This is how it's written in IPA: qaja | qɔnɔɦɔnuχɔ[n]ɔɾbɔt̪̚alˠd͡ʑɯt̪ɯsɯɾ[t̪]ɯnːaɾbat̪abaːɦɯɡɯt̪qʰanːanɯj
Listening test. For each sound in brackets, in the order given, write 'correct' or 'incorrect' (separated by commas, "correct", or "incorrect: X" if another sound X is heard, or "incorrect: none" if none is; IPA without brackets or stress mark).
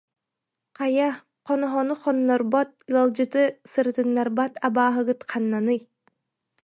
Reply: incorrect: nː, correct